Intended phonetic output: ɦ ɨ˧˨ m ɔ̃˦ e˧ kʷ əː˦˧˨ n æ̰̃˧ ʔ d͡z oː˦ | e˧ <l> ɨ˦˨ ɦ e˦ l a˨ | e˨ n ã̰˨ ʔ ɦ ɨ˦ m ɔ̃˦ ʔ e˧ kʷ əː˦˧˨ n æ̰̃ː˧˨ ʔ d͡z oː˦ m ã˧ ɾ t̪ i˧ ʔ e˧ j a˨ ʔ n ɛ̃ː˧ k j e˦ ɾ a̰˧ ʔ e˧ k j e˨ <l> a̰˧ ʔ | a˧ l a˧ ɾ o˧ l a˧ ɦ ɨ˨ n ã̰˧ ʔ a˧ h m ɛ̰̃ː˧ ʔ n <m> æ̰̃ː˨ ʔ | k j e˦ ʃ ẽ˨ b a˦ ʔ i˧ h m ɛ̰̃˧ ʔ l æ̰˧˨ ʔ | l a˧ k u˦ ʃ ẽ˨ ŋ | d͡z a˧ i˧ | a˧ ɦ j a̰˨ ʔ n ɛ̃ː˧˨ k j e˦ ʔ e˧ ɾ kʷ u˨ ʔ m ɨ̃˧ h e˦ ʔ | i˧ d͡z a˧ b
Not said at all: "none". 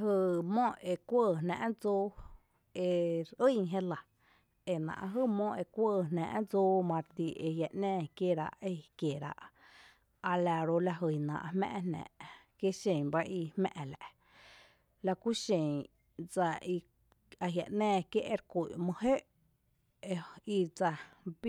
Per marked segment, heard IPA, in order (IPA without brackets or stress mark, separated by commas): ɾ, ɾ, n